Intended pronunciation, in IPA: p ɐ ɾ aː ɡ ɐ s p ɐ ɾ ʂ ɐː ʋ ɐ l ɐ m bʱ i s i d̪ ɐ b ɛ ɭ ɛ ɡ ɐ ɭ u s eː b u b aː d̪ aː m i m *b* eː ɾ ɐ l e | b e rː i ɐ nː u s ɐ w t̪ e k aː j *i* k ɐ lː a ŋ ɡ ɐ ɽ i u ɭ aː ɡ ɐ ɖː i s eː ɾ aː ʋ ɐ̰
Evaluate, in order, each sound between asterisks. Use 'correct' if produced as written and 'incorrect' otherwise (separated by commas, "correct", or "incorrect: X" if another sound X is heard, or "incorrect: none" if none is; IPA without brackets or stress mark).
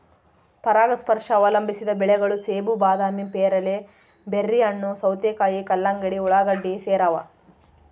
incorrect: p, correct